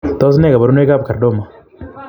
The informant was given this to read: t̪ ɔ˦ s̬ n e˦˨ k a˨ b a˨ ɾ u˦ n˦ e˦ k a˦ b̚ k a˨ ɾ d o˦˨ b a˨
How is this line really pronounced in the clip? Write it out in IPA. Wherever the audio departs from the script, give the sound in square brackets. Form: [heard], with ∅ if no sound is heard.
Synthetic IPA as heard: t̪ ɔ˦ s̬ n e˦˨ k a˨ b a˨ ɾ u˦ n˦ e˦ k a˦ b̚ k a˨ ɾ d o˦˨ [m] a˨